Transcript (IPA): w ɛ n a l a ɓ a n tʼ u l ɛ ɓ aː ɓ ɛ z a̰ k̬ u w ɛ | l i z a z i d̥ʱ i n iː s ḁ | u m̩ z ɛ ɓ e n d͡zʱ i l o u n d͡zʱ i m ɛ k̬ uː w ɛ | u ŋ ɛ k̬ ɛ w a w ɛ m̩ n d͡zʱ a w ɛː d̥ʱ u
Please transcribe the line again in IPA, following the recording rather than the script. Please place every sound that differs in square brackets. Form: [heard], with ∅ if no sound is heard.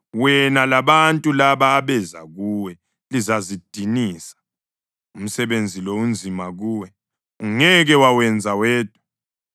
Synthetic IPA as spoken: w ɛ n a l a ɓ a n tʼ u l [a] ɓ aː ɓ ɛ z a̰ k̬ u w ɛ | l i z a z i d̥ʱ i n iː s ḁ | u m̩ [s] ɛ ɓ e n d͡zʱ i l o u n d͡zʱ i m [a] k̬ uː w ɛ | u ŋ ɛ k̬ ɛ w a w ɛ [∅] n d͡zʱ a w ɛː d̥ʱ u